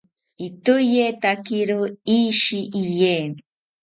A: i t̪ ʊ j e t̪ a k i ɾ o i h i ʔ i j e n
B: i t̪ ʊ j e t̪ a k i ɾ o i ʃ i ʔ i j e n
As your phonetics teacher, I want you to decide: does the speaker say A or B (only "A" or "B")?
B